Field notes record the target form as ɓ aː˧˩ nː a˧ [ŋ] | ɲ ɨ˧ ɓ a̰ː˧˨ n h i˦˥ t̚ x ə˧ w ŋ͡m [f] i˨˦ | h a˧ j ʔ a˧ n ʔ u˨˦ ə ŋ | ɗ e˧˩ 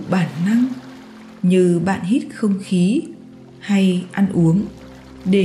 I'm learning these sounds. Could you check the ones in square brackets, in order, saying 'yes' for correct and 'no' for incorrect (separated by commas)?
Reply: yes, no